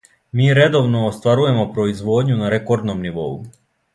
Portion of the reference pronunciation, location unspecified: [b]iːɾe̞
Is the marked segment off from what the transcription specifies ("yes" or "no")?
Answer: yes